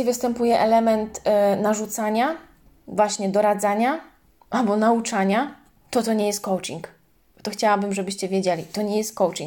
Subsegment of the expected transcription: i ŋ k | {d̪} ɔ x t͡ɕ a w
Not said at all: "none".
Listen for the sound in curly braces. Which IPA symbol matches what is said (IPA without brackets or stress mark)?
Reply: t̪